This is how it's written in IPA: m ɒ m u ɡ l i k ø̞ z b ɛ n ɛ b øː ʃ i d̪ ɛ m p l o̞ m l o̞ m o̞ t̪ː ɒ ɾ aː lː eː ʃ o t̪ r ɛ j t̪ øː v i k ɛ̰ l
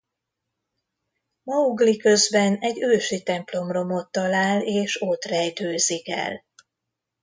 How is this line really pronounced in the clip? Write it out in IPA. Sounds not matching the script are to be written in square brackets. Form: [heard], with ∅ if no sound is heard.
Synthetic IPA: m ɒ [∅] u ɡ l i k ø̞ z b ɛ n ɛ [ɟ] øː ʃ i [t̪] ɛ m p l o̞ m [r] o̞ m o̞ t̪ː ɒ [l] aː [l] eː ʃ o t̪ r ɛ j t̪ øː [z] i k ɛ̰ l